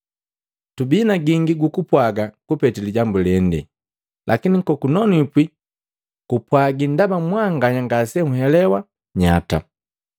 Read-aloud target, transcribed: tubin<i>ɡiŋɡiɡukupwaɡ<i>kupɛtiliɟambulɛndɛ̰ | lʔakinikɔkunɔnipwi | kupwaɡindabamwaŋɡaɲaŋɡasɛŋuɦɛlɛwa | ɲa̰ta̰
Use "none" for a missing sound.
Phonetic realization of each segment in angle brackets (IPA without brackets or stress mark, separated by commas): a, a